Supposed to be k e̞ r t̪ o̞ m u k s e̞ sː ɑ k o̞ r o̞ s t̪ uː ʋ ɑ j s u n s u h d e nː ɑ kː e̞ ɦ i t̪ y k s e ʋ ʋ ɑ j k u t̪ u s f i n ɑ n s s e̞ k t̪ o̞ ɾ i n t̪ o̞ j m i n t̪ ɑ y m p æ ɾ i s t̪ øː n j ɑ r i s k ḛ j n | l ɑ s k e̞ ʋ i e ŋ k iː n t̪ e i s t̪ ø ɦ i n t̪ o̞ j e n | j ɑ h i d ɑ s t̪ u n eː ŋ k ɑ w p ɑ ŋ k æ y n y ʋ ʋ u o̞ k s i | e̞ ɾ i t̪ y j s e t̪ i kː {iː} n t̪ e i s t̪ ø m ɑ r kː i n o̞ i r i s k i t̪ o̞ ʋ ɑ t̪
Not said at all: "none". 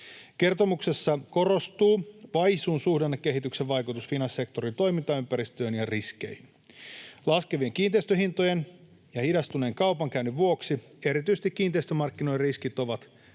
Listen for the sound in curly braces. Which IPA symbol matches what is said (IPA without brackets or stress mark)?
iː